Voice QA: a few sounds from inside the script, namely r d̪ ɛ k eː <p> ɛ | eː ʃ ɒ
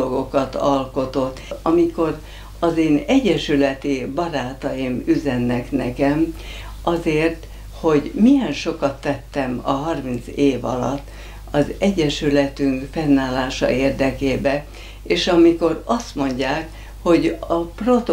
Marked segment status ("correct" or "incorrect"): incorrect